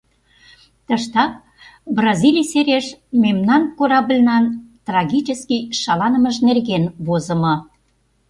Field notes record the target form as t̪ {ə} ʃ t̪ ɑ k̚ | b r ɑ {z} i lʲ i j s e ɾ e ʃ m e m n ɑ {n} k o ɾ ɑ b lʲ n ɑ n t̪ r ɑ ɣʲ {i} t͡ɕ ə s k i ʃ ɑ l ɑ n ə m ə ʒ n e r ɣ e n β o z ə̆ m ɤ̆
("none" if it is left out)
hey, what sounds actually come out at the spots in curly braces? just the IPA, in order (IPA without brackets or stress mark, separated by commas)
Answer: ə, z, n, i